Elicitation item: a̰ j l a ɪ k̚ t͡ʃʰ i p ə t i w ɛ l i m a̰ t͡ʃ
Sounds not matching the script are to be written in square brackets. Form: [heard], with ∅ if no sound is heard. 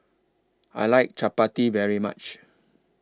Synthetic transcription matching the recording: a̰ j l a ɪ k̚ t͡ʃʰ [a] p [a] t i [v] ɛ [ɹ] i m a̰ t͡ʃ